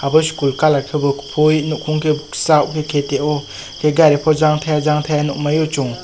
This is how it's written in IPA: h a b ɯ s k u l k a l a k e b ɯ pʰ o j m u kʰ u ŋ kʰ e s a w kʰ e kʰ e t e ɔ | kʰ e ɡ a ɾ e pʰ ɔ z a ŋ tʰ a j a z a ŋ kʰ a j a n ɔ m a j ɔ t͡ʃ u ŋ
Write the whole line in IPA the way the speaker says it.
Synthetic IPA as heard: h a b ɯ s k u l k a l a kʰ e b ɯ pʰ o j n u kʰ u ŋ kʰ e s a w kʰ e kʰ e t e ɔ | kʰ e ɡ a ɾ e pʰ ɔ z a ŋ tʰ a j a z a ŋ tʰ a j a n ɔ m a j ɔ t͡ʃ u ŋ